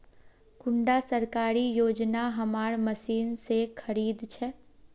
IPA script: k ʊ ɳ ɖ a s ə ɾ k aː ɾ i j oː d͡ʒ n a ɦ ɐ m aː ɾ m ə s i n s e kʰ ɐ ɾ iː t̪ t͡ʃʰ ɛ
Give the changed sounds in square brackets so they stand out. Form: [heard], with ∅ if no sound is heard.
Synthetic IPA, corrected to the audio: k ʊ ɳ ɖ a s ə ɾ k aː ɾ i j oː d͡ʒ n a ɦ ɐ m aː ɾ m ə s [iː] n s e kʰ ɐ ɾ iː [d̪] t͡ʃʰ ɛ